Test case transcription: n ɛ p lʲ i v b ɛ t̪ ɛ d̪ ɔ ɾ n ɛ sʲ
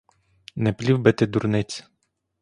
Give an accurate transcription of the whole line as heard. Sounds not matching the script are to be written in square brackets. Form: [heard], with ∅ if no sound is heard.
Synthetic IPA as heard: n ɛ p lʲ i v b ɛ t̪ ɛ d̪ [u] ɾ n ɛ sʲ